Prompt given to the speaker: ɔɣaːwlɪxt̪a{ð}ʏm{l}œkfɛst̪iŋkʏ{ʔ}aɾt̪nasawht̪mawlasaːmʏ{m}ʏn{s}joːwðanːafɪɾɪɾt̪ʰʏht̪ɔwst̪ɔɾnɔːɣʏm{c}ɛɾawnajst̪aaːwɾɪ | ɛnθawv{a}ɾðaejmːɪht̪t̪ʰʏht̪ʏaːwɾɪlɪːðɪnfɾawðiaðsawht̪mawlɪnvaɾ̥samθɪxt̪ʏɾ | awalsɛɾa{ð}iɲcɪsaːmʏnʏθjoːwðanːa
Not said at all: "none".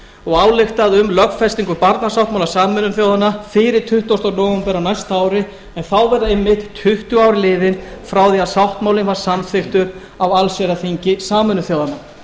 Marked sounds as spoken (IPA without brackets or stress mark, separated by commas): ð, l, p, n, θ, p, ɛ, θ